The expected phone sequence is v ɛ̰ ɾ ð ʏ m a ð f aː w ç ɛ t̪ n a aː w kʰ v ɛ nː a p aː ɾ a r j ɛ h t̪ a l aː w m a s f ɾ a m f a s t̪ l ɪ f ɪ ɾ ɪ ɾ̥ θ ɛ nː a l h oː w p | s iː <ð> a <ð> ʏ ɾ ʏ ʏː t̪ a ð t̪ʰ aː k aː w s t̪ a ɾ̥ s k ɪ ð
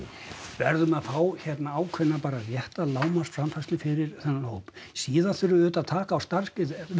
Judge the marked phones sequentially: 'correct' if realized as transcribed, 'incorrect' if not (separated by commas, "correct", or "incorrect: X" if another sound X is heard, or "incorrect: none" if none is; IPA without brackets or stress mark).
correct, incorrect: θ